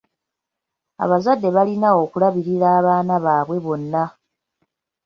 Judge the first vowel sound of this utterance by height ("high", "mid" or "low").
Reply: low